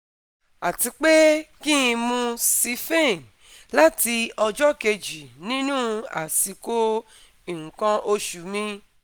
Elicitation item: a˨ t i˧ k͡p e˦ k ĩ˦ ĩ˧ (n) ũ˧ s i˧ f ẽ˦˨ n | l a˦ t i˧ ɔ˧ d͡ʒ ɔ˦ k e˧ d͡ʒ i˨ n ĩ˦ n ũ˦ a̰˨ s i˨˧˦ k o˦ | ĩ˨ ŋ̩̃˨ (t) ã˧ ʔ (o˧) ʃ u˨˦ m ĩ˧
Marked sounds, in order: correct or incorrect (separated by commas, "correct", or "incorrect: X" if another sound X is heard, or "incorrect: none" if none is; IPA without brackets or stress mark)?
incorrect: m, incorrect: k, correct